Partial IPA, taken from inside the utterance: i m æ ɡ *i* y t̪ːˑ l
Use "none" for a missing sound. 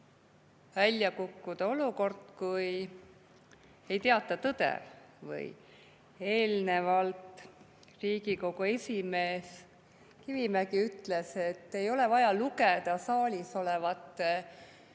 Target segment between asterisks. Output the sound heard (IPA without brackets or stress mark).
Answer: i